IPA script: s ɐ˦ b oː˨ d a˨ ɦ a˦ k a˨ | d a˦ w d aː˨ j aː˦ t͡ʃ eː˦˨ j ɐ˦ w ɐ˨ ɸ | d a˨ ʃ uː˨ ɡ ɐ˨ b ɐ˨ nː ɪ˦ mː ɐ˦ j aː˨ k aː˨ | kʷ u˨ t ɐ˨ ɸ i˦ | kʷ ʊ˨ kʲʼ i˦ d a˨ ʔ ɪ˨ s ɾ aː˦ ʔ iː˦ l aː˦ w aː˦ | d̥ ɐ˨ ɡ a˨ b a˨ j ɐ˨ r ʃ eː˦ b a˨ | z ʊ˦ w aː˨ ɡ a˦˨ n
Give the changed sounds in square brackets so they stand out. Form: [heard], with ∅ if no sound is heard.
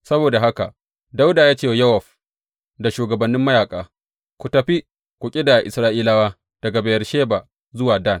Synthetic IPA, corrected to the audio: s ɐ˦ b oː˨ d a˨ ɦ a˦ k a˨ | d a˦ w d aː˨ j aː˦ t͡ʃ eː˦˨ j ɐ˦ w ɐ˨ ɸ | d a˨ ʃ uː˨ ɡ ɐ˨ b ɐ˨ nː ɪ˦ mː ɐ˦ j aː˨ [kʼ] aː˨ | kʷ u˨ t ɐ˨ ɸ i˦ | kʷ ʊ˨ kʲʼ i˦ d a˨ ʔ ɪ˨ s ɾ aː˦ ʔ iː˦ l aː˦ w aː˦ | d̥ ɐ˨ ɡ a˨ b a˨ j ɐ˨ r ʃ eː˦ b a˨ | z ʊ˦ w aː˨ [d] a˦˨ n